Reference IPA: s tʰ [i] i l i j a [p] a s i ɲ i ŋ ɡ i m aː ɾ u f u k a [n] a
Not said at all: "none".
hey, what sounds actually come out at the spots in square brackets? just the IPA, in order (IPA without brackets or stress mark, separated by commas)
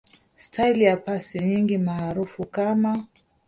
a, p, m